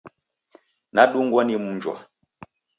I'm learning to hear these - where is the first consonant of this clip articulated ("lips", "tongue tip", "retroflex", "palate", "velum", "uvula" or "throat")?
tongue tip